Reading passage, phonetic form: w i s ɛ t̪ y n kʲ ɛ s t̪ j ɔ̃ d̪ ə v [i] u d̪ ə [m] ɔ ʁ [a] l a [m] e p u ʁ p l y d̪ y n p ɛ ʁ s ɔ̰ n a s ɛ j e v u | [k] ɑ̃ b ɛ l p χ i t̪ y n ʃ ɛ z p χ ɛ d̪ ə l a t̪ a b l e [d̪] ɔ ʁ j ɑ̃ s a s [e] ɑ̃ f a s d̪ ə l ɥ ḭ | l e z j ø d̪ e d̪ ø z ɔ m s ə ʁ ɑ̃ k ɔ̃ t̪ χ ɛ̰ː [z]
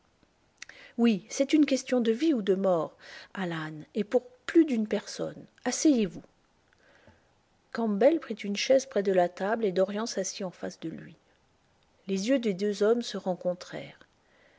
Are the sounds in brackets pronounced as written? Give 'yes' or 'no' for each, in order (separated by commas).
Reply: yes, yes, yes, no, yes, yes, no, no